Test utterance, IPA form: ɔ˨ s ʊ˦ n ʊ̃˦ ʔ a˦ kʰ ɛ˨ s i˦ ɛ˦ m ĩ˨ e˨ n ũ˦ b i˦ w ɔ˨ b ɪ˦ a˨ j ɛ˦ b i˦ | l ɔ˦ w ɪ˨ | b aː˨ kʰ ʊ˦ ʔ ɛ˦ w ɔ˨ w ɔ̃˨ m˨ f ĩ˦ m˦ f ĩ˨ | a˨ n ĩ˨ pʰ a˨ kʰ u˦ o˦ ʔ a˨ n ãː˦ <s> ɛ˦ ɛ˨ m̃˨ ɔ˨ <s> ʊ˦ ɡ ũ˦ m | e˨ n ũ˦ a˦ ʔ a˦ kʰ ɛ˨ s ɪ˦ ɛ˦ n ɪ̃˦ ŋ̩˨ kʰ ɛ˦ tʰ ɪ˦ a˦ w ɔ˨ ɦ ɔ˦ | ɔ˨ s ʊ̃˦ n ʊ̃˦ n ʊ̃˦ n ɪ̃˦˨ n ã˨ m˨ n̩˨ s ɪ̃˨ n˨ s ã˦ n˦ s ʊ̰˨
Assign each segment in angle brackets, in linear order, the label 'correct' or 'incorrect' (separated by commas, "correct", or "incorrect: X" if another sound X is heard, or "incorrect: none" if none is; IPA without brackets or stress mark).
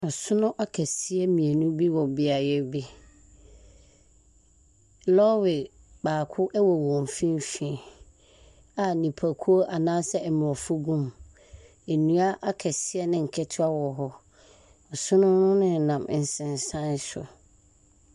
correct, incorrect: f